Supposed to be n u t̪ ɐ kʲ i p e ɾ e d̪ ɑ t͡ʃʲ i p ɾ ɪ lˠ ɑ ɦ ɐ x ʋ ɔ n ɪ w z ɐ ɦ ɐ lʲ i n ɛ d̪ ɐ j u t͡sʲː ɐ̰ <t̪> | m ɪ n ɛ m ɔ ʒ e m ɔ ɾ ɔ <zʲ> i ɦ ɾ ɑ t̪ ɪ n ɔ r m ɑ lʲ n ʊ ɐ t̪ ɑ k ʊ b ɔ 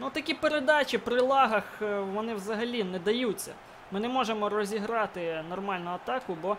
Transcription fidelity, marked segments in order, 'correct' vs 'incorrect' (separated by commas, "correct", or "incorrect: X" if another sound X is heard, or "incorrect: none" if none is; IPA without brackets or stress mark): incorrect: none, correct